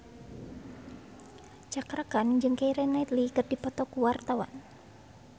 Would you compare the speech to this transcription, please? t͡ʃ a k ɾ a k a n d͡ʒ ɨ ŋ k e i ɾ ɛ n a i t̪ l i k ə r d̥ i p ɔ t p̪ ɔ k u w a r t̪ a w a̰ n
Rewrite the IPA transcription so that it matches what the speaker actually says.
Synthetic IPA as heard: t͡ʃ a k ɾ a k a n d͡ʒ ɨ ŋ k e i ɾ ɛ n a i t̪ l i k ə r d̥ i p ɔ t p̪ ɔ k u w a r t̪ a w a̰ n